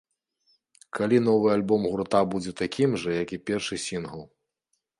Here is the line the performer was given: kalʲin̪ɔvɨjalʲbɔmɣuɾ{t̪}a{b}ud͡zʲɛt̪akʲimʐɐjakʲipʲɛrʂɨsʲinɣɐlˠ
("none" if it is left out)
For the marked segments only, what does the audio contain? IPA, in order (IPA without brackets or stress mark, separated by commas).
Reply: t̪, b